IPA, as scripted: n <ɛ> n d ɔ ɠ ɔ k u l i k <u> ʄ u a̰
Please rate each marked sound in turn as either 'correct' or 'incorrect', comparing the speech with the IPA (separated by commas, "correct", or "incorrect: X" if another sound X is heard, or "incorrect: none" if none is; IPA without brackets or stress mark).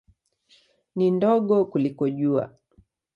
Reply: incorrect: i, incorrect: ɔ